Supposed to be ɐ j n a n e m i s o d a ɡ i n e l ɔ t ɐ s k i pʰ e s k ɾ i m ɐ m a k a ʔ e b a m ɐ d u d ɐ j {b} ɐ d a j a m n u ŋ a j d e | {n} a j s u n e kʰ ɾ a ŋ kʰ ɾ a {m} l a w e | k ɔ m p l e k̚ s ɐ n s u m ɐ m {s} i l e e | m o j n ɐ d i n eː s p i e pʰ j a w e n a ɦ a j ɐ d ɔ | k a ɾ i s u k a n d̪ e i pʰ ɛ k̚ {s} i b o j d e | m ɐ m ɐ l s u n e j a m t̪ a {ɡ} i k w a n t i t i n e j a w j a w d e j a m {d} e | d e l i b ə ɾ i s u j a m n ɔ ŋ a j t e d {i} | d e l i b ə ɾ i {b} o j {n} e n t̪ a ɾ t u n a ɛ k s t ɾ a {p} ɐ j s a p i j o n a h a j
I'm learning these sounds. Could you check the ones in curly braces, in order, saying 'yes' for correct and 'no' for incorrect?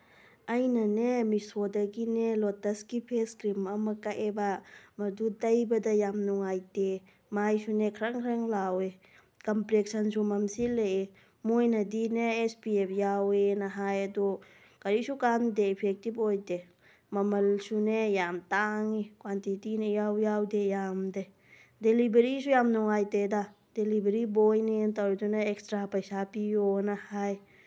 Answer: yes, no, no, yes, no, no, yes, no, yes, yes, yes

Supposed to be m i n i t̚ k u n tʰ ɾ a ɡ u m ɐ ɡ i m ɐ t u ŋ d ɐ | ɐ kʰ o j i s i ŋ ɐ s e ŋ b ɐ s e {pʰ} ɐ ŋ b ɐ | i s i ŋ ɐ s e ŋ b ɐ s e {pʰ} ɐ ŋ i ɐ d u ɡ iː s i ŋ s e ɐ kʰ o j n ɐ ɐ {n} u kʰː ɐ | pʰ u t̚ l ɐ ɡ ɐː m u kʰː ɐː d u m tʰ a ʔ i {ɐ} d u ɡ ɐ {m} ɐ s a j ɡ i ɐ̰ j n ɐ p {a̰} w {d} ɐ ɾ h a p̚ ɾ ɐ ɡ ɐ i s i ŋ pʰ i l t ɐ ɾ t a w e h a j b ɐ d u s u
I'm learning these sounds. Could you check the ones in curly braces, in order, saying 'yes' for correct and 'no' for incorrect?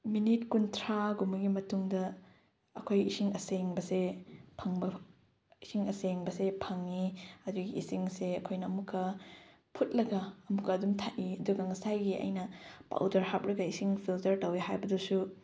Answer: yes, yes, no, yes, no, yes, yes

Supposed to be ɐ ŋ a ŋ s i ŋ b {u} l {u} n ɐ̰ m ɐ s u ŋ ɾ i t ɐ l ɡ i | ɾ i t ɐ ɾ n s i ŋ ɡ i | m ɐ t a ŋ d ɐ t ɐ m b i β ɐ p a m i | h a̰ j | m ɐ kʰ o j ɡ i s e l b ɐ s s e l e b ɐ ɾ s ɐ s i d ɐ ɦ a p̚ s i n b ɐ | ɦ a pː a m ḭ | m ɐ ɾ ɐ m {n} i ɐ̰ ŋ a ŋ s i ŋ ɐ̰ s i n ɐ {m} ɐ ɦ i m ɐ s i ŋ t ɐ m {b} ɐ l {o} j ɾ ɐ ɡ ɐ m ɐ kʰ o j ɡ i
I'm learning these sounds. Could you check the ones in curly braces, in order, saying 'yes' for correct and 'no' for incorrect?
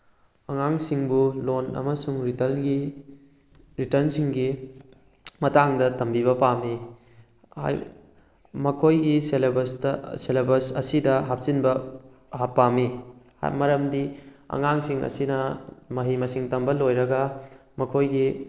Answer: yes, no, no, yes, yes, yes

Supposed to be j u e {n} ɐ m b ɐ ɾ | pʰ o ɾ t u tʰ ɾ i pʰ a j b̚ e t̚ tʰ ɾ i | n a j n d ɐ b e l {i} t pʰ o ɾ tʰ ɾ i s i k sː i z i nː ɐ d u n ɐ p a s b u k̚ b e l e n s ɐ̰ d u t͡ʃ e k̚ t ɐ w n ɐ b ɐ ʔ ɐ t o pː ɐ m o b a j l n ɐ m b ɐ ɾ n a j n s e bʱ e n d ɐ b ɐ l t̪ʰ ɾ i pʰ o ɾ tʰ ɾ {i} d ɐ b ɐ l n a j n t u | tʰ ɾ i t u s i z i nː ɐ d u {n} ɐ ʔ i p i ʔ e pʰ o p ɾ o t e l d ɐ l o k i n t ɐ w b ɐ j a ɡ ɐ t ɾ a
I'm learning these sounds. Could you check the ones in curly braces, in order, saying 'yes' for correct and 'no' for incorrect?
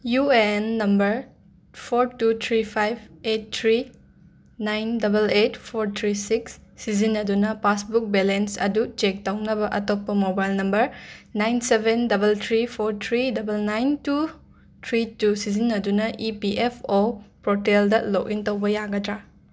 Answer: no, no, yes, yes

